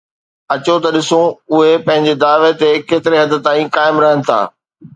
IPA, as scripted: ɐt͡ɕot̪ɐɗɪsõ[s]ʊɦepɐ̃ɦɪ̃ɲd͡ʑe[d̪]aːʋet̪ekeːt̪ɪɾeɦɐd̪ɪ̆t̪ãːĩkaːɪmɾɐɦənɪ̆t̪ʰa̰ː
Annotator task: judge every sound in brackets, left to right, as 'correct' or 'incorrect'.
incorrect: none, correct

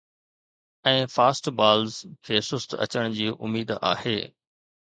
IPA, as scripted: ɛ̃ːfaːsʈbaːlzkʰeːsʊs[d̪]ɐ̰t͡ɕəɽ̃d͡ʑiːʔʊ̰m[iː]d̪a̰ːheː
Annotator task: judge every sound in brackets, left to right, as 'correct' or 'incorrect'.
incorrect: t̪, correct

